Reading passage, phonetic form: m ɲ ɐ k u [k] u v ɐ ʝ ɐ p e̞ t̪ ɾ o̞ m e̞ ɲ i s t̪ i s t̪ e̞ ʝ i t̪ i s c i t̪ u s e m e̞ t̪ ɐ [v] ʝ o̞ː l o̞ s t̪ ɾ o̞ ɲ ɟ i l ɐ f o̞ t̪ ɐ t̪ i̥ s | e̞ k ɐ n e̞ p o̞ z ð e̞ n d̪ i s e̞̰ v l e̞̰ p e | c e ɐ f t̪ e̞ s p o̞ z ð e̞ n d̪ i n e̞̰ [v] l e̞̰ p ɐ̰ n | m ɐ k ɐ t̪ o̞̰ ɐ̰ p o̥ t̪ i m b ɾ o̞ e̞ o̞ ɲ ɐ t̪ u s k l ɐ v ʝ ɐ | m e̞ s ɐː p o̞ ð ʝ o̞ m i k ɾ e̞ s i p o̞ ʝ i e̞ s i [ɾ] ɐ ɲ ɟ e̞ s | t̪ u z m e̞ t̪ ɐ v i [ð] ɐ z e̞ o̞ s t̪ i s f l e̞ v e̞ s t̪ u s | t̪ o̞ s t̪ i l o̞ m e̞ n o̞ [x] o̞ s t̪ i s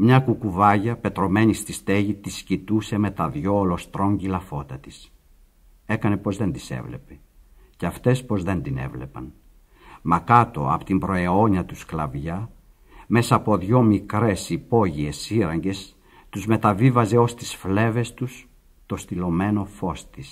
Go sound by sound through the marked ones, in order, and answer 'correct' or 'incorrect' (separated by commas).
correct, incorrect, correct, correct, incorrect, incorrect